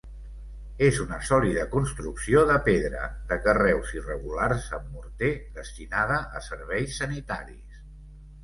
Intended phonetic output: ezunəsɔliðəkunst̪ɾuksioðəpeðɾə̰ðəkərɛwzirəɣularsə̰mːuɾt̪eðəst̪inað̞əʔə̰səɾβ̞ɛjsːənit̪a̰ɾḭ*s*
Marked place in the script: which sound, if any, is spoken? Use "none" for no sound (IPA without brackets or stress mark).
s